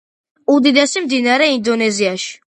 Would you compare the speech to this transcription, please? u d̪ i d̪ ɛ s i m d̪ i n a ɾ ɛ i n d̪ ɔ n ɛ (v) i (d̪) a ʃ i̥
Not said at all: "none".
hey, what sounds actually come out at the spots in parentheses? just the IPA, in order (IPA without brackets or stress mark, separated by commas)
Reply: z, none